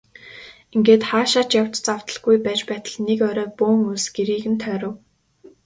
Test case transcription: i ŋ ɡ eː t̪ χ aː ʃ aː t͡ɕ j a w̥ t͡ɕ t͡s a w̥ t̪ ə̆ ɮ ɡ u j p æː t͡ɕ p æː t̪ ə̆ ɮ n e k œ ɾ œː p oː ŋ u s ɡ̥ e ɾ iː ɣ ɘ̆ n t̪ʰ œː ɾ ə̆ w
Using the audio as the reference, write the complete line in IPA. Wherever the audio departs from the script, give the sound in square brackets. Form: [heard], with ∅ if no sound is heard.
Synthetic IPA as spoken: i ŋ ɡ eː t̪ χ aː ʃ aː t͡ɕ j a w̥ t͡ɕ t͡s a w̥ t̪ ə̆ ɮ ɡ u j p æː t͡ɕ p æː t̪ ə̆ ɮ n e k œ ɾ œː p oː ŋ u s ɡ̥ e ɾ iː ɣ ɘ̆ n t̪ʰ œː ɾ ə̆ w